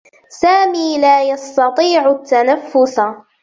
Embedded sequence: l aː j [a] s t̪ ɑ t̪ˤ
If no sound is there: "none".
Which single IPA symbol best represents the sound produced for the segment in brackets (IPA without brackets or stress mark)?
ɑ